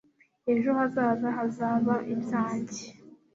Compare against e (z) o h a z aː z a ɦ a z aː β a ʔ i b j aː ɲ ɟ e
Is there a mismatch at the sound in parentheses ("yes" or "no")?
yes